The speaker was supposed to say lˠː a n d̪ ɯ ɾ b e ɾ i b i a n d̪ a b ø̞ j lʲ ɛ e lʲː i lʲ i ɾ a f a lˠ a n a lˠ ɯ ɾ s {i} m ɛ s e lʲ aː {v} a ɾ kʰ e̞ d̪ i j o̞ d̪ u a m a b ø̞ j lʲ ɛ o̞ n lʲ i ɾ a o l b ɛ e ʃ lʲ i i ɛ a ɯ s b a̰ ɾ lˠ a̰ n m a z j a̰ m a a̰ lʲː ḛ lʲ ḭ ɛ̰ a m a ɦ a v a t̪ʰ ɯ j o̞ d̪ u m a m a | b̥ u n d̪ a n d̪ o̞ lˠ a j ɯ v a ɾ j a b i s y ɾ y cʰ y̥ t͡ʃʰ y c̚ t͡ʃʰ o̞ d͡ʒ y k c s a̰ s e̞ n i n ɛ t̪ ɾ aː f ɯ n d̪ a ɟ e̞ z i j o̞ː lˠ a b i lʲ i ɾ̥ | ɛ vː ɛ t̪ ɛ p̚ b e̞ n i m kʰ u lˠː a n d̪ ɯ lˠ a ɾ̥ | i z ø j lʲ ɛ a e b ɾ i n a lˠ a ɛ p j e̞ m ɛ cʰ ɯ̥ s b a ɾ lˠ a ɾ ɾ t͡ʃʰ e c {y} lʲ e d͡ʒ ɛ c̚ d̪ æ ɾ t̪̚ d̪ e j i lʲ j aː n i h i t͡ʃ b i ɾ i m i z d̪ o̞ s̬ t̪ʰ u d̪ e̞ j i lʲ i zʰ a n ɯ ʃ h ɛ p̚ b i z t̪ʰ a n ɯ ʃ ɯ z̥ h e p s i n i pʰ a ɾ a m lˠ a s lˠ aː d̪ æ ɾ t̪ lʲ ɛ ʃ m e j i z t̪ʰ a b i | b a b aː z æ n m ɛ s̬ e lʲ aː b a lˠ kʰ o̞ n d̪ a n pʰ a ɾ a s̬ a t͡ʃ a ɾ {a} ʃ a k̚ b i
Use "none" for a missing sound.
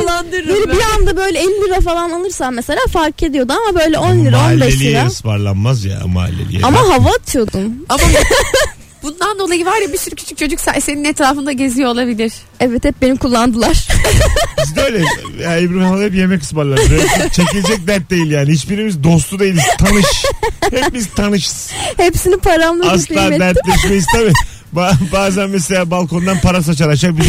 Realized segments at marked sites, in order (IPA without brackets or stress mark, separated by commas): a, f, i, a